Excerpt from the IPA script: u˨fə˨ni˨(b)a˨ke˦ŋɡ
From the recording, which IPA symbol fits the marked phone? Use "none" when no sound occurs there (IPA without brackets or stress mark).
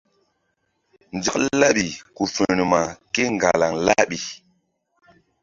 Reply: m